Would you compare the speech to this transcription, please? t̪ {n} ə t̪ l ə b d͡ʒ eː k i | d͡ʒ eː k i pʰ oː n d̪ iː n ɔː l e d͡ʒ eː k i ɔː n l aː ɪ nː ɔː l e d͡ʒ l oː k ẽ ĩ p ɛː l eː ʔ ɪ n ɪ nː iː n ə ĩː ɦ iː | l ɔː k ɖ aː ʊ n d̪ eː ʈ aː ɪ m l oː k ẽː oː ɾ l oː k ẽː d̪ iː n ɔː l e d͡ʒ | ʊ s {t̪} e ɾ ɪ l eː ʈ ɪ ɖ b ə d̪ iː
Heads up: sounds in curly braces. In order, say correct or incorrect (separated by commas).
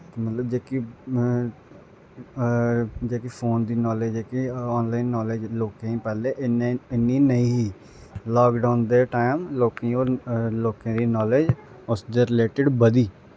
incorrect, incorrect